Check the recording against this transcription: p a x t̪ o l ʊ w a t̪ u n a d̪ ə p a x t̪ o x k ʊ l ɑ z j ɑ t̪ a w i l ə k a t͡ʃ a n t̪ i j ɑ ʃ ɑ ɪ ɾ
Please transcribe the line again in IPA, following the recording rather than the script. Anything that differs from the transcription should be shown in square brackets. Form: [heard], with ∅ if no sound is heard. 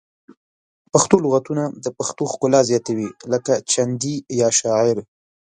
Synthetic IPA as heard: p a x t̪ o l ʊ [ɣ] a t̪ u n a d̪ ə p a x t̪ o x k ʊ l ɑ z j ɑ t̪ a w i l ə k a t͡ʃ a n [d̪] i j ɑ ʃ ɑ ɪ ɾ